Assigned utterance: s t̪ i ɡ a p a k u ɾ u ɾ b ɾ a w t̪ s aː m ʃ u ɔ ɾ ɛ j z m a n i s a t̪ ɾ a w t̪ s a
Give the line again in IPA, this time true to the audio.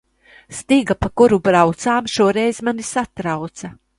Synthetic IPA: s t̪ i ɡ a p a k u ɾ u b ɾ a w t̪ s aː m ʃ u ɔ ɾ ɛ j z m a n i s a t̪ ɾ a w t̪ s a

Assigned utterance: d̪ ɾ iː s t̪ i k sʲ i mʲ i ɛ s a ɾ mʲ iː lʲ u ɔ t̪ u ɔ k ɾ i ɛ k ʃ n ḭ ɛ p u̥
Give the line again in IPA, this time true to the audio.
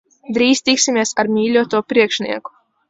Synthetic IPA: d̪ ɾ iː s t̪ i k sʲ i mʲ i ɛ s a ɾ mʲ iː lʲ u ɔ t̪ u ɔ p ɾ i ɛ k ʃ n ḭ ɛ k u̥

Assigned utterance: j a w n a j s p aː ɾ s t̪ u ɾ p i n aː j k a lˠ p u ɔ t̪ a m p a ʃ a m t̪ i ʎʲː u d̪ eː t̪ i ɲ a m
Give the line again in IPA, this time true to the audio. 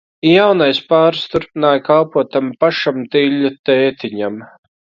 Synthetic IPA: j a w n a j s p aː ɾ s t̪ u ɾ p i n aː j k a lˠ p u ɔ t̪ a m p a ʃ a m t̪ i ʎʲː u t̪ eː t̪ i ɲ a m

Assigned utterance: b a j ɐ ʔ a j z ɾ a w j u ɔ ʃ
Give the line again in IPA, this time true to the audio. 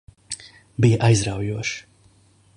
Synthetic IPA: b i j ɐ ʔ a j z ɾ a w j u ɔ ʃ

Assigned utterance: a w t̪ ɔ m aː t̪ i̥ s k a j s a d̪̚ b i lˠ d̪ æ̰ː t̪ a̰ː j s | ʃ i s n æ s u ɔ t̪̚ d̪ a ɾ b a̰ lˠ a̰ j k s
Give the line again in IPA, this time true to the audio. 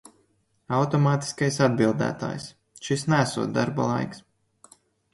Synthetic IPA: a w t̪ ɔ m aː t̪ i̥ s k a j s a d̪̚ b i lˠ d̪ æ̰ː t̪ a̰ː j s | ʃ i s n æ s u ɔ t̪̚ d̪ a ɾ b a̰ lˠ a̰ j k s

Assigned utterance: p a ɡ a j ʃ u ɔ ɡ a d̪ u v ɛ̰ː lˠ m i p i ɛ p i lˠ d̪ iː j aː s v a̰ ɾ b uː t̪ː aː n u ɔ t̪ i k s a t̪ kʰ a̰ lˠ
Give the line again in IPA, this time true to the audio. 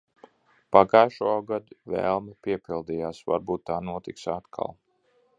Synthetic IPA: p a ɡ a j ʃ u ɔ ɡ a d̪ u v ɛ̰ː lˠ m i p i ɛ p i lˠ d̪ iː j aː s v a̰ ɾ b uː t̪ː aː n u ɔ t̪ i k s a t̪ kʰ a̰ lˠ

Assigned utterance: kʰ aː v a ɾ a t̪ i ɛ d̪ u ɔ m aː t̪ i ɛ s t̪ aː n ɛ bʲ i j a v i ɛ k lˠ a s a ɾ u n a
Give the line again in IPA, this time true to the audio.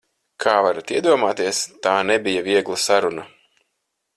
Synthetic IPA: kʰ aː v a ɾ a t̪ i ɛ d̪ u ɔ m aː t̪ i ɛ s t̪ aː n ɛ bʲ i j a v i ɛ ɡ lˠ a s a ɾ u n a

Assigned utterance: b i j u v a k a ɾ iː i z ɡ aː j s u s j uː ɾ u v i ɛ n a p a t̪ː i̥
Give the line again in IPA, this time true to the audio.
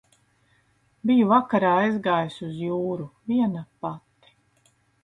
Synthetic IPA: b i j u v a k a ɾ aː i z ɡ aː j s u z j uː ɾ u v i ɛ n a p a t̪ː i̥

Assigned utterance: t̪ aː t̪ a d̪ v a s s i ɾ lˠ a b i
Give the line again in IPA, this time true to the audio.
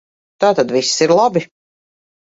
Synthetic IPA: t̪ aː t̪ a d̪ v i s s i ɾ lˠ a b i

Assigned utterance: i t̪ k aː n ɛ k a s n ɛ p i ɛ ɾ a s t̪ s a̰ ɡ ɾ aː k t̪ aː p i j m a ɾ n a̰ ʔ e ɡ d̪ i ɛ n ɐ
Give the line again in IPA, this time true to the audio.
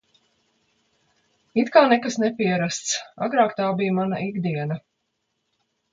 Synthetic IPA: i t̪ k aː n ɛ k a s n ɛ p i ɛ ɾ a s t̪ s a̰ ɡ ɾ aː k t̪ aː b i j m a n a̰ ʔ i ɡ d̪ i ɛ n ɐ

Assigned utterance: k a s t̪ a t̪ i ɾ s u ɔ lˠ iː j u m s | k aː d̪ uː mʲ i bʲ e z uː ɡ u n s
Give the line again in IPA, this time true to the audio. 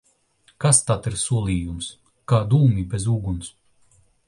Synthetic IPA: k a s t̪ a t̪ i ɾ s u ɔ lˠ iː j u m s | k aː d̪ uː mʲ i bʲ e z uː ɡ u n s

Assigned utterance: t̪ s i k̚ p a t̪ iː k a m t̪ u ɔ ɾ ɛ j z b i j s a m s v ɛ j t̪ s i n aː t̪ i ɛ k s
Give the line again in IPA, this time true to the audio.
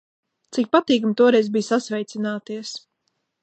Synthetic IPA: t̪ s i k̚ p a t̪ iː k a m t̪ u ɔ ɾ ɛ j z b i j s a s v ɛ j t̪ s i n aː t̪ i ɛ s

